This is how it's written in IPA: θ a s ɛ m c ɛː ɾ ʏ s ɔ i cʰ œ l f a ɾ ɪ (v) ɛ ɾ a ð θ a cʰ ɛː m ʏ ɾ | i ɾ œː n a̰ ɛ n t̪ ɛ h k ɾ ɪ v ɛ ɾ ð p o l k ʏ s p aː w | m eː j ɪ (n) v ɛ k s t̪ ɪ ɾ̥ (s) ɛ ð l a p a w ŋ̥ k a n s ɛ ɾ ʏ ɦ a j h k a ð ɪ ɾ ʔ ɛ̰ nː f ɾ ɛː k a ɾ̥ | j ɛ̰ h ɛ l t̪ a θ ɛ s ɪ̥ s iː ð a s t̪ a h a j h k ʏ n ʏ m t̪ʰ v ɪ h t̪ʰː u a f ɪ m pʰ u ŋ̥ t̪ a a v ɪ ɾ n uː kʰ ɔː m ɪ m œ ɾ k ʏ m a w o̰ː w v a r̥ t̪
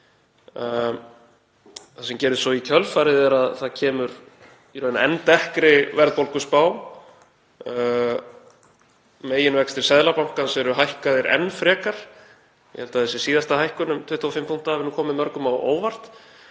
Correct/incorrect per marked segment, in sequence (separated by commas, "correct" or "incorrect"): incorrect, correct, correct